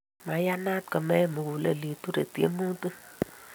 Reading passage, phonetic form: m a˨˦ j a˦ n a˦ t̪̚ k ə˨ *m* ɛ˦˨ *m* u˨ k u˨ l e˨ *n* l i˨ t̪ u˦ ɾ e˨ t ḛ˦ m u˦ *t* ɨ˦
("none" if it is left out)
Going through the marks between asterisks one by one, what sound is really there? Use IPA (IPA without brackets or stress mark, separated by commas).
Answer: m, m, none, t